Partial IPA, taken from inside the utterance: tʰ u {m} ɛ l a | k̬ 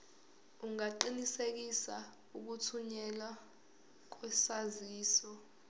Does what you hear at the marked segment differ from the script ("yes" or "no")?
yes